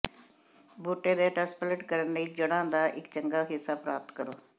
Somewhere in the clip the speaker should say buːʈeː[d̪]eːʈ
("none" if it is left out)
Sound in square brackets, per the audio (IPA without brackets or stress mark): d̪